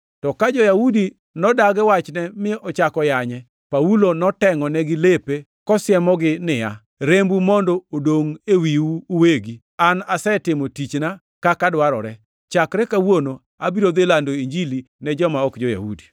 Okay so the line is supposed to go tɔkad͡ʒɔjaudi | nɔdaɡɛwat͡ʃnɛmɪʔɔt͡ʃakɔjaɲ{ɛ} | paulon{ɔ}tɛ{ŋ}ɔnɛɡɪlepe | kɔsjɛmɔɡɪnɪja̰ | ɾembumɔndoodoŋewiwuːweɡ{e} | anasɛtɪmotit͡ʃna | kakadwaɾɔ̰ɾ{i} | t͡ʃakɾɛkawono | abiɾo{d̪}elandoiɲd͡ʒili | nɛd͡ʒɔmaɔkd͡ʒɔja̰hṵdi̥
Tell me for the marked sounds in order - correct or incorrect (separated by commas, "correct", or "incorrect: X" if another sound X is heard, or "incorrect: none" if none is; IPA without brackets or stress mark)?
correct, correct, correct, incorrect: i, incorrect: ɛ, correct